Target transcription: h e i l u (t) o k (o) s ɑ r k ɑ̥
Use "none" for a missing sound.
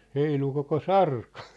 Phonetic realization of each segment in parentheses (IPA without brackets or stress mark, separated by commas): k, o